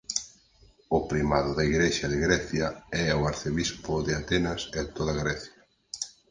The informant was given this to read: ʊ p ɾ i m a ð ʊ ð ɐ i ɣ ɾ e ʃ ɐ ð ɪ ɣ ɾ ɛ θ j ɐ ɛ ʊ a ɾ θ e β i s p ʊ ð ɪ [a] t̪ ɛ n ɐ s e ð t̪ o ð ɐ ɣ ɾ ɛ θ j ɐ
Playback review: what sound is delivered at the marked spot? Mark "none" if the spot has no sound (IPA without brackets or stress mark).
a